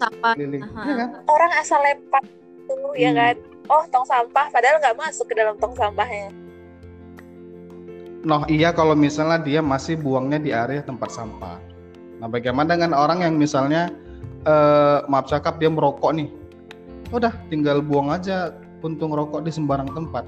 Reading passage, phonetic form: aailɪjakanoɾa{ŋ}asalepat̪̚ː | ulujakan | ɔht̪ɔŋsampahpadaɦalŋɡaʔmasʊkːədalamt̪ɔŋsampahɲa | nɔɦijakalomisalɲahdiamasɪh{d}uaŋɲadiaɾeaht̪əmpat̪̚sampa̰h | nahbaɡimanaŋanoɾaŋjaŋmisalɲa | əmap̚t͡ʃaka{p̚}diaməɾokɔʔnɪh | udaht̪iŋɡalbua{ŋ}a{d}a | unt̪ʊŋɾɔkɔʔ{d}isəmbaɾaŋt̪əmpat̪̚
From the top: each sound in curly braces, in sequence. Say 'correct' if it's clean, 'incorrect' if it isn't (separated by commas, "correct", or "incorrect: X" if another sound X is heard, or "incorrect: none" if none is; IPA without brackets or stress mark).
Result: correct, incorrect: b, correct, correct, incorrect: d͡ʒ, correct